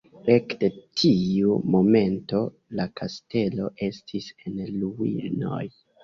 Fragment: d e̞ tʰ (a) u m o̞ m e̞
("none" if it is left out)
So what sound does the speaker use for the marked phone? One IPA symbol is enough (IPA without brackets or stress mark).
i